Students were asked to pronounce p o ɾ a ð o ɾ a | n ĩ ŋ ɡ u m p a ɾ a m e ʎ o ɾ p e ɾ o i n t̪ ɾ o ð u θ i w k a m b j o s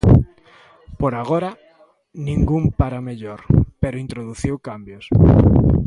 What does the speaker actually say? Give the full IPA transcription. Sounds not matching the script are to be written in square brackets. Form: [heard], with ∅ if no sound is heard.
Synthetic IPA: p o ɾ a [ɣ] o ɾ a | n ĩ ŋ ɡ u m p a ɾ a m e ʎ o ɾ p e ɾ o i n t̪ ɾ o ð u θ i w k a m b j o s

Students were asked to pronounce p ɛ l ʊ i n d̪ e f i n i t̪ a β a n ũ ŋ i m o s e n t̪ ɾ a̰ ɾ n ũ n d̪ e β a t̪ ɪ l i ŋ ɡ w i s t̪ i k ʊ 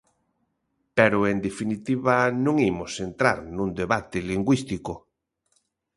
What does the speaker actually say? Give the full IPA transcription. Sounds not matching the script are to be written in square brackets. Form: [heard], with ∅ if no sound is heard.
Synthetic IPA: p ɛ [ɾ] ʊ [e] n d̪ e f i n i t̪ [i] β a n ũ ŋ i m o s e n t̪ ɾ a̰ ɾ n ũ n d̪ e β a t̪ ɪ l i ŋ ɡ w i s t̪ i k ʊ

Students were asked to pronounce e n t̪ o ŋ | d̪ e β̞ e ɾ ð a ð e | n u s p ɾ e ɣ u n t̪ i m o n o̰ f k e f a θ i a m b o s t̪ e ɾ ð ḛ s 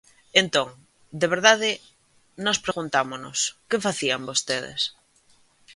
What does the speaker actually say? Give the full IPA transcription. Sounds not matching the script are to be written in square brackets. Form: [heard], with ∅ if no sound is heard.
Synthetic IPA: e n t̪ o ŋ | d̪ e β̞ e ɾ ð a ð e | n [o] s p ɾ e ɣ u n t̪ [a] m o n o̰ [s] k e f a θ i a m b o s t̪ e [∅] ð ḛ s

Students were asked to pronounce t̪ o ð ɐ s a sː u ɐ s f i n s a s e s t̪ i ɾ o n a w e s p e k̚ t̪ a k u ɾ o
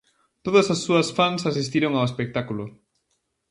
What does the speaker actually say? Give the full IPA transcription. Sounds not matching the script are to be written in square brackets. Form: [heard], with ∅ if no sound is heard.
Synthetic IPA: t̪ o ð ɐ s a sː u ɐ s f [a] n s a s [i] s t̪ i ɾ o [ŋ] a w e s p e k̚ t̪ a k u [l] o

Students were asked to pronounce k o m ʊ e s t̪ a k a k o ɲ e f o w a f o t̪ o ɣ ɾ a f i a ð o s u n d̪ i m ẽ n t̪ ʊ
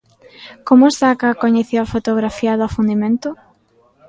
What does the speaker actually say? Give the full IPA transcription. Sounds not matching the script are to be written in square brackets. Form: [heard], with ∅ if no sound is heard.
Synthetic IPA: k o m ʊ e s t̪ a k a k o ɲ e [θ] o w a f o t̪ o ɣ ɾ a f i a ð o [f] u n d̪ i m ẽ n t̪ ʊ

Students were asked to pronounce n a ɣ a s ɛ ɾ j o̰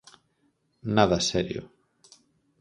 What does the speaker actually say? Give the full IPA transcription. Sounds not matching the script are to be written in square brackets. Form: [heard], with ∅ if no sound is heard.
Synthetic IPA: n a [ð] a s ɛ ɾ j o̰

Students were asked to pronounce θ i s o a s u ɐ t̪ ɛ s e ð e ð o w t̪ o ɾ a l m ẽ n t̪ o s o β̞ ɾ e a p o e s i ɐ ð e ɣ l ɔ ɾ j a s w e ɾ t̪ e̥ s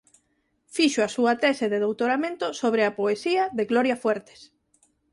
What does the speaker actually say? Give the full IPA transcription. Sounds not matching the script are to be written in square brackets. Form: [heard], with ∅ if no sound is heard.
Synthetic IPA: [f] i [ʃ] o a s u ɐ t̪ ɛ s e ð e ð o w t̪ o ɾ a [∅] m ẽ n t̪ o s o β̞ ɾ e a p o e s i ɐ ð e ɣ l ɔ ɾ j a [f] w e ɾ t̪ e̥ s

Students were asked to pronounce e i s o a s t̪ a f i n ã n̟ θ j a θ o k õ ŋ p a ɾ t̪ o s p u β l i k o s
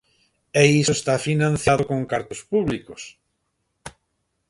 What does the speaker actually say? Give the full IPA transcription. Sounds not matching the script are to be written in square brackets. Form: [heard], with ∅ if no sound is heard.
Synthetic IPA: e i s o [e] s t̪ a f i n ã n̟ θ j a [ð] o k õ ŋ [k] a ɾ t̪ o s p u β l i k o s

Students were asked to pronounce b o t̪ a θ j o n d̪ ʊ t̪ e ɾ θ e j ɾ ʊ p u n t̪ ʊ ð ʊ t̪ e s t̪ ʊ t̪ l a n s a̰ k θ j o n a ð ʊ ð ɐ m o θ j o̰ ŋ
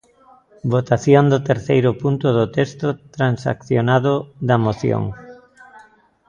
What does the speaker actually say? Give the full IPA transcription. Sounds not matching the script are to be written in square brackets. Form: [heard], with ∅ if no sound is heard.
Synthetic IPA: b o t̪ a θ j o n d̪ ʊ t̪ e ɾ θ e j ɾ ʊ p u n t̪ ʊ ð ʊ t̪ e s t̪ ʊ t̪ [ɾ] a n s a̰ k θ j o n a ð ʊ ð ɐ m o θ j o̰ ŋ

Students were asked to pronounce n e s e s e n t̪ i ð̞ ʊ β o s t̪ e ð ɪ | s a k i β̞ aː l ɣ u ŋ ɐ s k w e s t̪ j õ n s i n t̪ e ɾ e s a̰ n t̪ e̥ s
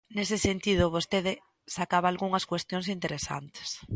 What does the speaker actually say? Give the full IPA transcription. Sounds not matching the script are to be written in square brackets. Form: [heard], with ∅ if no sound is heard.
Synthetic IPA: n e s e s e n t̪ i ð̞ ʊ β o s t̪ e ð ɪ | s a k [a] β̞ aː l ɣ u ŋ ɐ s k w e s t̪ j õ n s i n t̪ e ɾ e s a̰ n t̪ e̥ s

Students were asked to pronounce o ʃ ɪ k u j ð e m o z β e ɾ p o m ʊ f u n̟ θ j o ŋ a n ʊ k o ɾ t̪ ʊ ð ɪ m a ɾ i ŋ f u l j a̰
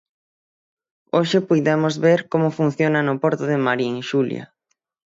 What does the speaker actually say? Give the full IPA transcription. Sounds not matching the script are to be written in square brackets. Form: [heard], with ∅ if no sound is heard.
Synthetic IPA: o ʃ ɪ [p] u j ð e m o z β e ɾ [k] o m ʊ f u n̟ θ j o [n] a n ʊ [p] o ɾ t̪ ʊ ð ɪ m a ɾ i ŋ [ʃ] u l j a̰

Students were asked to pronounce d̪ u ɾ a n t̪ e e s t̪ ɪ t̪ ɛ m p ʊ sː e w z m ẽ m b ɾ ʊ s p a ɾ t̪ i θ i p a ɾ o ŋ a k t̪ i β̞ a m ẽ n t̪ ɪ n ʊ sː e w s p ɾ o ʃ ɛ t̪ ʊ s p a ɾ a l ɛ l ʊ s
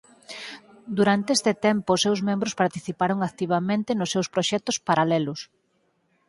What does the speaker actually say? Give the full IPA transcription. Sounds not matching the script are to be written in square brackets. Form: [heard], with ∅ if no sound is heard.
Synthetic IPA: d̪ u ɾ a n t̪ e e s t̪ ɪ t̪ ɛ m p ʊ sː e w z m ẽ m b ɾ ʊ s p a ɾ t̪ i θ i p a ɾ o ŋ a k t̪ i β̞ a m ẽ n t̪ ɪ n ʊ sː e w s p ɾ o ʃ ɛ t̪ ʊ s p a ɾ a l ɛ l ʊ s

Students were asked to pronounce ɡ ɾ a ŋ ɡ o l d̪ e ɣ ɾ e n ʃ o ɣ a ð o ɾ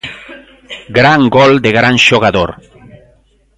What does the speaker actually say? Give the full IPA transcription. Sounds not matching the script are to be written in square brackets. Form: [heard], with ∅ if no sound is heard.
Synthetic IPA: ɡ ɾ a ŋ ɡ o l d̪ e ɣ ɾ [a] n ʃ o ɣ a ð o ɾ

